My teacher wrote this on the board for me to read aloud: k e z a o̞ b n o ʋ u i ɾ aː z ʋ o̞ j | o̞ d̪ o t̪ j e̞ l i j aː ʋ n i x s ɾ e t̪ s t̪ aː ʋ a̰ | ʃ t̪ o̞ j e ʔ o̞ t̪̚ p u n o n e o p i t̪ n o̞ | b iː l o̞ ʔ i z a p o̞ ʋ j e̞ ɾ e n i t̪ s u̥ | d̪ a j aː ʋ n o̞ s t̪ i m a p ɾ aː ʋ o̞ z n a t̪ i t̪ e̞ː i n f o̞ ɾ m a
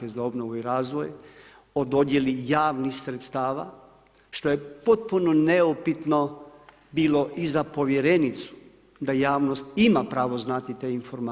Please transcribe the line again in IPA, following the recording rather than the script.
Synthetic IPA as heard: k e z a o̞ b n o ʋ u i ɾ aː z ʋ o̞ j | o̞ d̪ o d̪ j e̞ l i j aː ʋ n i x s ɾ e t̪ s t̪ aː ʋ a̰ | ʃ t̪ o̞ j e p o̞ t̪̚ p u n o n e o p i t̪ n o̞ | b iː l o̞ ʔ i z a p o̞ ʋ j e̞ ɾ e n i t̪ s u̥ | d̪ a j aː ʋ n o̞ s t̪ i m a p ɾ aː ʋ o̞ z n a t̪ i t̪ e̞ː i n f o̞ ɾ m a